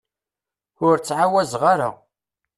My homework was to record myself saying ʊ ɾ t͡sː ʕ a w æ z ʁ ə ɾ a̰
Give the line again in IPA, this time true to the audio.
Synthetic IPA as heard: ʊ ɾ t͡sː ʕ a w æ z ʁ a ɾ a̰